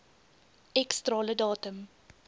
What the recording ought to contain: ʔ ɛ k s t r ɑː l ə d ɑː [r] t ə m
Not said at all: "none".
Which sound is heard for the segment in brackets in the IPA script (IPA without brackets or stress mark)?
none